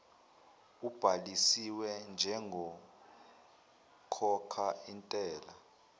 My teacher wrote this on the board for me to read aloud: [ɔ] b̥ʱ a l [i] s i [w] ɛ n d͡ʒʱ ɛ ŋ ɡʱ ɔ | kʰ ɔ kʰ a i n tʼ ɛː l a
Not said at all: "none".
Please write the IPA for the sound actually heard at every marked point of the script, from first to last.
u, i, w

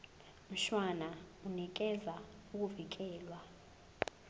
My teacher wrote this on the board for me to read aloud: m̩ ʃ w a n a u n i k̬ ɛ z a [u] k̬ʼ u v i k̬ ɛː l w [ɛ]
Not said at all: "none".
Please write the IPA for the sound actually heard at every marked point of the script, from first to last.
u, a

